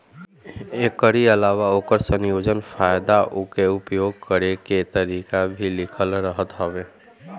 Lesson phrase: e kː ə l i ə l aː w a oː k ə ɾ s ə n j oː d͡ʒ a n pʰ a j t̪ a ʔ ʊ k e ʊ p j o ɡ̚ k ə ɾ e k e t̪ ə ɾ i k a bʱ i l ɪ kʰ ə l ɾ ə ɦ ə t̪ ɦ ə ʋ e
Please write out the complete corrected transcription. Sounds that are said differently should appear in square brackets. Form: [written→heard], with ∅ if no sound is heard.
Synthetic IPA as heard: e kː ə [l→ɾ] i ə l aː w a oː k ə ɾ s ə n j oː d͡ʒ [a→ə] n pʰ a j [t̪→d̪] a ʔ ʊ k e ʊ p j o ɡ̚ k ə ɾ e k e t̪ ə ɾ i k a bʱ i l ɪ kʰ ə l ɾ ə ɦ ə t̪ ɦ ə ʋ e